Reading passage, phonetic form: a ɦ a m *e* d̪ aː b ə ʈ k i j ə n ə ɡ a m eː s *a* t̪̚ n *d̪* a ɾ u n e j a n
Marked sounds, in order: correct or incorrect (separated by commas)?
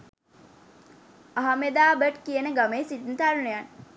correct, incorrect, incorrect